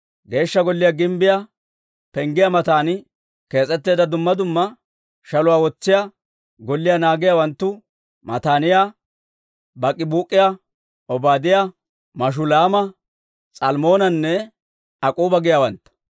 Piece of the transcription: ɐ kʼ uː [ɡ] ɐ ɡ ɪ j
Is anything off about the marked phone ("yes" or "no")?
yes